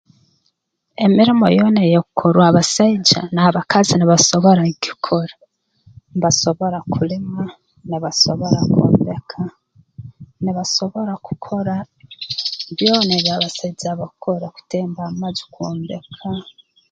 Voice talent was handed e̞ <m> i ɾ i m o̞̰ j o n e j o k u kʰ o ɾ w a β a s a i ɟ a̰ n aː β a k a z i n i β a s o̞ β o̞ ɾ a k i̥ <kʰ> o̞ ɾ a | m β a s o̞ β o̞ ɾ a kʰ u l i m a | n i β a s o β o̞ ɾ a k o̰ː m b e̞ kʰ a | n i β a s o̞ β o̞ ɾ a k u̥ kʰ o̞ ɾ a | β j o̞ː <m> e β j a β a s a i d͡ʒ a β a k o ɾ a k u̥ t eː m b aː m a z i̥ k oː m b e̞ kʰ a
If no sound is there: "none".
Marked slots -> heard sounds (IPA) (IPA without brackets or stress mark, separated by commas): m, kʰ, n